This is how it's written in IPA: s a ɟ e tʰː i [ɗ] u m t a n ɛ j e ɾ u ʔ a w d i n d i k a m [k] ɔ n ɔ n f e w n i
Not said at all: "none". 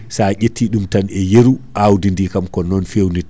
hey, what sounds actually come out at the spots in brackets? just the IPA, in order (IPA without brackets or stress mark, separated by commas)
ɗ, k